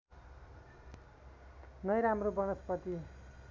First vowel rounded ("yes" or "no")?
no